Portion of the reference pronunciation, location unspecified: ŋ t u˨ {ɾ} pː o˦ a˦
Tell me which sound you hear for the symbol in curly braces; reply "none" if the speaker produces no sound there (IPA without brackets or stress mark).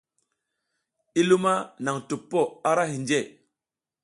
none